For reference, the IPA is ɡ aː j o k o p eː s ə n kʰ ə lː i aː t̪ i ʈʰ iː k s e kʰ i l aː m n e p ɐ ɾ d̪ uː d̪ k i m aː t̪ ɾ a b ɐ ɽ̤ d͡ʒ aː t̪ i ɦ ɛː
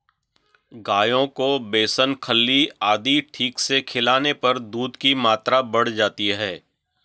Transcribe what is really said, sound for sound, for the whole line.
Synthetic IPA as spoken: ɡ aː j õ k o b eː s ə n kʰ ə lː i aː d̪ i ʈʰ iː k s e kʰ ɪ l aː n e p ɐ ɾ d̪ uː d̪ k i m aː t̪ ɾ a b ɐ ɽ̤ d͡ʒ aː t̪ i ɦ ɛː